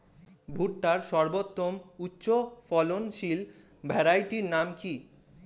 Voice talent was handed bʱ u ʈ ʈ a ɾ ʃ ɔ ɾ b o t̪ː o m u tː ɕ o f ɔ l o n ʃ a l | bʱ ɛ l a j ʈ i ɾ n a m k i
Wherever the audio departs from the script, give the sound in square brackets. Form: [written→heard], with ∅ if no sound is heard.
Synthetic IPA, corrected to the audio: bʱ u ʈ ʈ a ɾ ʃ ɔ ɾ b o t̪ː o m u tː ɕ o f ɔ l o n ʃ [a→i] l | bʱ ɛ [l→ɾ] a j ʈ i ɾ n a m k i